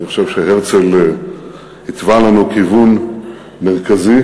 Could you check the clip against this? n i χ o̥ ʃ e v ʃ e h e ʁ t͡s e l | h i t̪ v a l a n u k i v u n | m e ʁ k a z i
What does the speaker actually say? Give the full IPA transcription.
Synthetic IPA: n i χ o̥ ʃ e v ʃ e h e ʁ t͡s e l | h i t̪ v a l a n u k i v u n | m e ʁ k a z i

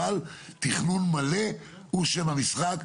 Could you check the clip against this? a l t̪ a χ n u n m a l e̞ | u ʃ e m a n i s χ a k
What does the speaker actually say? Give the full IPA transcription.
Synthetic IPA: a l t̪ i χ n u n m a l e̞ | u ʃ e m a m i s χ a k

